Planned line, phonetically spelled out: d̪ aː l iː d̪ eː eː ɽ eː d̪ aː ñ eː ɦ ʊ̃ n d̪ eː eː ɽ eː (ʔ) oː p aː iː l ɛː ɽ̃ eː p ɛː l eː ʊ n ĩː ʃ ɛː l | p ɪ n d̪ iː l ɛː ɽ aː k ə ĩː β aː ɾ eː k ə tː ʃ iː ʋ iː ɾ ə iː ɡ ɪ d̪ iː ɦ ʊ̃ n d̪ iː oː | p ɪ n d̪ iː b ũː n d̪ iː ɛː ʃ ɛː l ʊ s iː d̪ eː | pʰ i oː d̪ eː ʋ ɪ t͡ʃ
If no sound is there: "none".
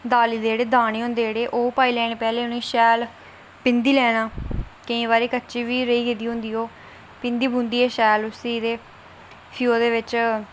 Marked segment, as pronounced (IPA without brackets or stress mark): ʔ